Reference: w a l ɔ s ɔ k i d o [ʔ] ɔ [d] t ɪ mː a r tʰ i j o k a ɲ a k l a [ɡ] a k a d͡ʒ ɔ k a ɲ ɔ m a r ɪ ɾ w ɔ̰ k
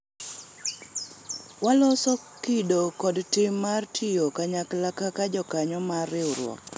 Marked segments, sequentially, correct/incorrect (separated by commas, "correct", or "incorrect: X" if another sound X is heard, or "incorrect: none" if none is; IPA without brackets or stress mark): incorrect: k, correct, incorrect: k